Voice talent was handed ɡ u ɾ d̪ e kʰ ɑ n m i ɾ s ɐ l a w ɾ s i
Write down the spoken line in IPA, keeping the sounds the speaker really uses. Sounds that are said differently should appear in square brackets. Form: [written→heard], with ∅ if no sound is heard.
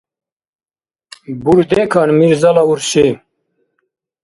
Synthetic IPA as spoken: [ɡ→b] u ɾ d̪ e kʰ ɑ n m i ɾ [s→z] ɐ l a [w→u] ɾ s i